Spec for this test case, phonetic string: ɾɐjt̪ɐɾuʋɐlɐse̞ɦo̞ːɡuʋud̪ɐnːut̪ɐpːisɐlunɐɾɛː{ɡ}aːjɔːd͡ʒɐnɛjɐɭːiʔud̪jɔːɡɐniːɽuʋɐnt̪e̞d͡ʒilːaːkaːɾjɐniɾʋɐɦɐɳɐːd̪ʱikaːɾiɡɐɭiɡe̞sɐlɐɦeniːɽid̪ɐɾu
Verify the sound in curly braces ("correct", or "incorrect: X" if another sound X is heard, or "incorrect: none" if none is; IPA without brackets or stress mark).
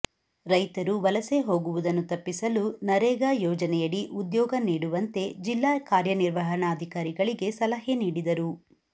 correct